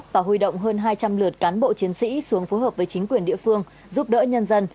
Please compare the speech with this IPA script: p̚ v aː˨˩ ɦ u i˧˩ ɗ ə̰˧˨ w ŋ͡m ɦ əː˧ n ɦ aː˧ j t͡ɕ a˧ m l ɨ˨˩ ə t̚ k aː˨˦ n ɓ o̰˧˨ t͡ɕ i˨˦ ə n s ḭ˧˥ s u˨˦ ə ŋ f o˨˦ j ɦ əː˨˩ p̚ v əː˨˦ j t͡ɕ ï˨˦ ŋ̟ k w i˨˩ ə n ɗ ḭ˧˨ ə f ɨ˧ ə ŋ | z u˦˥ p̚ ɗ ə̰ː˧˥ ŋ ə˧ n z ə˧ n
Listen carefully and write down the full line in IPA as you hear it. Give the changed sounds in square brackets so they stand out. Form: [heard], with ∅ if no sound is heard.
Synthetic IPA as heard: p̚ v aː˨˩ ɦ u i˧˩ ɗ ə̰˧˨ w ŋ͡m ɦ əː˧ n ɦ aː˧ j t͡ɕ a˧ m l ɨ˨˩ ə t̚ k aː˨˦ n ɓ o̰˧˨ t͡ɕ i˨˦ ə n s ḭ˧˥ s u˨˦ ə ŋ f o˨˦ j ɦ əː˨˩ p̚ v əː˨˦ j t͡ɕ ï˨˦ ŋ̟ k w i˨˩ ə n ɗ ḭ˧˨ ə f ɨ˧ ə ŋ | z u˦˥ p̚ ɗ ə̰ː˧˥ [ɲ] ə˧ n z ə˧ n